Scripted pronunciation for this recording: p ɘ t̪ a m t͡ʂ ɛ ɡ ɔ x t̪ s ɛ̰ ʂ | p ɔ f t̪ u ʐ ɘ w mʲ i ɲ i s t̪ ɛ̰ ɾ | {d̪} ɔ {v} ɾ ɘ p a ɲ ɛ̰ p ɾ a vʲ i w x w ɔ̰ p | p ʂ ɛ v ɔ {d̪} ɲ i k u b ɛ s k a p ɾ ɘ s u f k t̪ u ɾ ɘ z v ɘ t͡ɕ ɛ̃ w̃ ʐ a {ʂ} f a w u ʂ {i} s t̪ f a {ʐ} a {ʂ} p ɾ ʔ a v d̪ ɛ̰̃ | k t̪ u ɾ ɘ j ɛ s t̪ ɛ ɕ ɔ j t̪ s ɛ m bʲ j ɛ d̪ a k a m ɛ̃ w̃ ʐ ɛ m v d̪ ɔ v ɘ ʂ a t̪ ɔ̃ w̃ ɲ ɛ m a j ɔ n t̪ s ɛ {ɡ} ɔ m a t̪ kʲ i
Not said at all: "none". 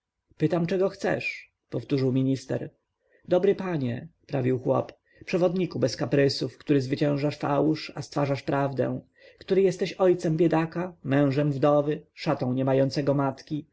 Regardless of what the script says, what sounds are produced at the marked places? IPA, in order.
d̪, b, d̪, ʂ, a, ʐ, ʂ, ɡ

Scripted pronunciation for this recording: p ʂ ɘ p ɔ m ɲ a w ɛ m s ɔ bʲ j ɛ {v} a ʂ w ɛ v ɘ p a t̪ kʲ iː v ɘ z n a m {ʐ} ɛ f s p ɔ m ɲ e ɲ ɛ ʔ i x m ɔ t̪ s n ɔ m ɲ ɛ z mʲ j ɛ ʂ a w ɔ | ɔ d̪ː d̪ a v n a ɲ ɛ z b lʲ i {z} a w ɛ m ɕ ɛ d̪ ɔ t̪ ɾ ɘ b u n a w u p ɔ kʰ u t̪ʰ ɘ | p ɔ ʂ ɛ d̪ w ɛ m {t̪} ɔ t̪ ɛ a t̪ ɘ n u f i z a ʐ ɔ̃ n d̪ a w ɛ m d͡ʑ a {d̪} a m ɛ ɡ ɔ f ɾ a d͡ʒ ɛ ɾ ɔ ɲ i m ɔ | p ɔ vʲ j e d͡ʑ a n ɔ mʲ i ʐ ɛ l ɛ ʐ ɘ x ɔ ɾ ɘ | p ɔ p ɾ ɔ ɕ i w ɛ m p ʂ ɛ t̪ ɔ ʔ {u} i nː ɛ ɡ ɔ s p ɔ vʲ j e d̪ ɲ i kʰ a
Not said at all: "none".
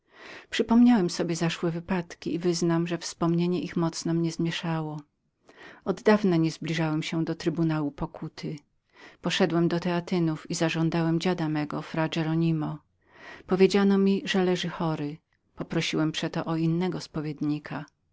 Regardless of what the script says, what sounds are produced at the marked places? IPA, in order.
z, ʐ, ʐ, d̪, d̪, ɔ

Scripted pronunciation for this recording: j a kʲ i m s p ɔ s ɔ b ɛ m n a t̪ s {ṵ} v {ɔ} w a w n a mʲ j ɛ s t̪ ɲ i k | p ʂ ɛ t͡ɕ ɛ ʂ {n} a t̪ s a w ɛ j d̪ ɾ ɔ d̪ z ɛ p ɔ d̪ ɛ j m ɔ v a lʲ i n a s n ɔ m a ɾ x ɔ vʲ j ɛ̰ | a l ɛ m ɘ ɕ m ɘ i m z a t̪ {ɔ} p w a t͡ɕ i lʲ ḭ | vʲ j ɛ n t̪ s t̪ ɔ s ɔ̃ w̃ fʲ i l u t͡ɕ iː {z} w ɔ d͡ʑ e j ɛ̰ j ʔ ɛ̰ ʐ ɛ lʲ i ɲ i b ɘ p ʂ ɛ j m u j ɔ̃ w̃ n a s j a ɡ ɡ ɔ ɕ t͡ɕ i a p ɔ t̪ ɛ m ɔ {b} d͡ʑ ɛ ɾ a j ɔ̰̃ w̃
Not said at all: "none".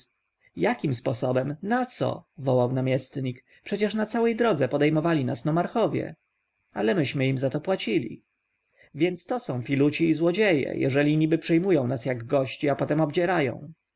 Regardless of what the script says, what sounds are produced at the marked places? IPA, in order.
ɔ̰, ɔ, n, ɔ, z, b

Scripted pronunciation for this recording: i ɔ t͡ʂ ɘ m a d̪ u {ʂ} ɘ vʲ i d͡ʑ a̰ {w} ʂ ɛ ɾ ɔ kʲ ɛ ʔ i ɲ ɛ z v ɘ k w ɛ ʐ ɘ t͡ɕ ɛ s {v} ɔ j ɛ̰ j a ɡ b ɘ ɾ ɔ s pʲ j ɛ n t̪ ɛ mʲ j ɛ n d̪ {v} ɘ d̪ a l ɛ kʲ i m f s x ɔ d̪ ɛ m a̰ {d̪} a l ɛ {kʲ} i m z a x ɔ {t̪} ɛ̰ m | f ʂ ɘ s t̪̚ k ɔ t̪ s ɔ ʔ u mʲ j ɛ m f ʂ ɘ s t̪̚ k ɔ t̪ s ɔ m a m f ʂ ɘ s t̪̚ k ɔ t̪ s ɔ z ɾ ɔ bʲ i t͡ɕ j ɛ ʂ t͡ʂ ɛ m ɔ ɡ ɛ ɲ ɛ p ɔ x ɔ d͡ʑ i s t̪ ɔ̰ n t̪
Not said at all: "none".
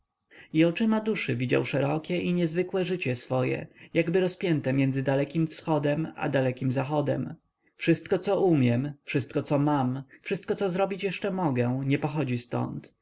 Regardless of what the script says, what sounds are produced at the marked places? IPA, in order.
ʂ, w, f, z, d̪, kʲ, d̪

